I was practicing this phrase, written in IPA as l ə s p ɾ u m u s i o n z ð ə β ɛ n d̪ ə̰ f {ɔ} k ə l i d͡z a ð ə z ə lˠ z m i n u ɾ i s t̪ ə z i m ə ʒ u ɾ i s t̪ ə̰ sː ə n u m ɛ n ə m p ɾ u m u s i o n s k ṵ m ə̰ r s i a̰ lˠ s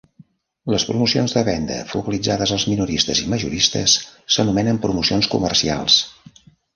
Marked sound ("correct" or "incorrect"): incorrect